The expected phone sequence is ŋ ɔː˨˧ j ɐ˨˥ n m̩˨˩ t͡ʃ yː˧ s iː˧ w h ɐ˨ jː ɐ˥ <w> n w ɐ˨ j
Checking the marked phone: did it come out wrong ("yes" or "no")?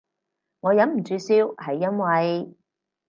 yes